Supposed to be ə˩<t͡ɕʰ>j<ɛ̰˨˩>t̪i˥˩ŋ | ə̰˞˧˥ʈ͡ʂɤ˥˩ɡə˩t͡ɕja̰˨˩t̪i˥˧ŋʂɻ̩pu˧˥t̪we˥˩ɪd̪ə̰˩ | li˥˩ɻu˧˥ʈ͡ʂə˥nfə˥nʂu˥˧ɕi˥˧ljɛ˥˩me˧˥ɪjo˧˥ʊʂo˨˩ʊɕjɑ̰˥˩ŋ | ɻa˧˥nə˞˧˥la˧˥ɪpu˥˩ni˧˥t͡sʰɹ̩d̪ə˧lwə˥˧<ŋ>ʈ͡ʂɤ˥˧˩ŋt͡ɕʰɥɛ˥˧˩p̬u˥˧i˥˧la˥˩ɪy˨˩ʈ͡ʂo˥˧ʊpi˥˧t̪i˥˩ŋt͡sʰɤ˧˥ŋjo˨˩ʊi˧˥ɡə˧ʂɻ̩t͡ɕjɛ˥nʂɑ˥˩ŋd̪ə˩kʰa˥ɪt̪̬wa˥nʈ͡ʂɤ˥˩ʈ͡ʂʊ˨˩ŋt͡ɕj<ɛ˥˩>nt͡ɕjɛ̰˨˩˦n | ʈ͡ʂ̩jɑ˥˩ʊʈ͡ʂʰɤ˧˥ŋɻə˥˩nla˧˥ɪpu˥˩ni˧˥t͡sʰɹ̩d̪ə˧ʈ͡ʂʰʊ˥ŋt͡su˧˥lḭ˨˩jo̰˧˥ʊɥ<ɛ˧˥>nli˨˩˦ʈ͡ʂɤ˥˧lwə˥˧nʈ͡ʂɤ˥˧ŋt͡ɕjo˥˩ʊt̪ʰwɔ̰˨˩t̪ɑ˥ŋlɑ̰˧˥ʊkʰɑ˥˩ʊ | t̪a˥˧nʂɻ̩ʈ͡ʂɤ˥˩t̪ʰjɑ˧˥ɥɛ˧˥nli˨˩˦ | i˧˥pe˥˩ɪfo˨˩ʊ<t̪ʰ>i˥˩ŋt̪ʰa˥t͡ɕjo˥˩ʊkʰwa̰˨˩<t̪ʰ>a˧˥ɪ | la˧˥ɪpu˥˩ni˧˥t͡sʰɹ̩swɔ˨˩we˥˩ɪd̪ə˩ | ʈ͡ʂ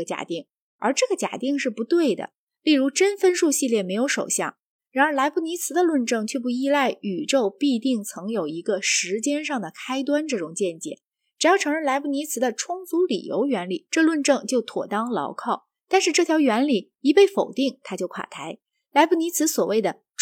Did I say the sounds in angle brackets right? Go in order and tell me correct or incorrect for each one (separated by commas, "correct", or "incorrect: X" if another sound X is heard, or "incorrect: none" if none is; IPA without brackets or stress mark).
incorrect: t͡ɕ, incorrect: a̰˨˩, incorrect: n, correct, correct, incorrect: t̪, correct